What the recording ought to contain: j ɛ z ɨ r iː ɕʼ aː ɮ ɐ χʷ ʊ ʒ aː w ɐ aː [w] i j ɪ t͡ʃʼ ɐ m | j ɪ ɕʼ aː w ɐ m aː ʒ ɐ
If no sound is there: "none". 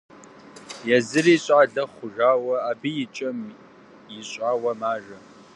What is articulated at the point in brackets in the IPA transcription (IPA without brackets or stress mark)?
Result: b